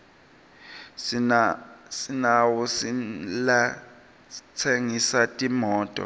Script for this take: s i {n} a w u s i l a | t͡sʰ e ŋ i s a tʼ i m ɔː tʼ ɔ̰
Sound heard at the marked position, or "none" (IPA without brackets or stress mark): n